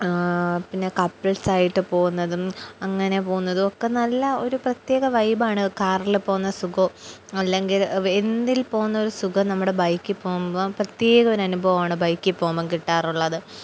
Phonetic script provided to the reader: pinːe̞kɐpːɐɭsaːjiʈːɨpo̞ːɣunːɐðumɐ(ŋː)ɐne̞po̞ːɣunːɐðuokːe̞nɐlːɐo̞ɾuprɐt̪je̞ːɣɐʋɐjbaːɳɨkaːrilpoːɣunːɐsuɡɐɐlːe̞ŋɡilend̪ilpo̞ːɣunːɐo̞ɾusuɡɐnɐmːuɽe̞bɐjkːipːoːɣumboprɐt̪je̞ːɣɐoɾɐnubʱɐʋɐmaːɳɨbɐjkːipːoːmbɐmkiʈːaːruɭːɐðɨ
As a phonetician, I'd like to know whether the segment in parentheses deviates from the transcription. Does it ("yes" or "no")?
no